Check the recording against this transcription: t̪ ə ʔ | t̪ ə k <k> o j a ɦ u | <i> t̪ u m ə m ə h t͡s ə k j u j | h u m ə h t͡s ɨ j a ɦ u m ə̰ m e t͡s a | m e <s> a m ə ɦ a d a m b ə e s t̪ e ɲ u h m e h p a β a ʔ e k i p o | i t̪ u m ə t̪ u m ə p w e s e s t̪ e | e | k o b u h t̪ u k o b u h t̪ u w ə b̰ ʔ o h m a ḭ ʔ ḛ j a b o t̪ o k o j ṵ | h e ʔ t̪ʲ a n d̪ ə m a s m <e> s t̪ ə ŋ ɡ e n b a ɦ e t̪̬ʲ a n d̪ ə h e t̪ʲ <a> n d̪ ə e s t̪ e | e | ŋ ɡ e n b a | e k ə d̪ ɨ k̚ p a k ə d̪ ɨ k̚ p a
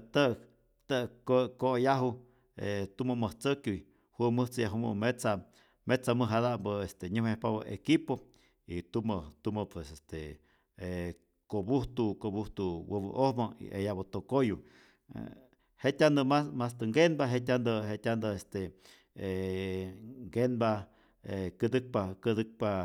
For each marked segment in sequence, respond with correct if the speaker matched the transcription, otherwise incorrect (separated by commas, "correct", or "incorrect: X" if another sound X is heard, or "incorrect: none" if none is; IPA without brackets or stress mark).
correct, incorrect: e, incorrect: t͡s, incorrect: a, correct